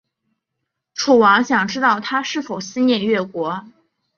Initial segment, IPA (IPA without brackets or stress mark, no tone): ʈ͡ʂʰ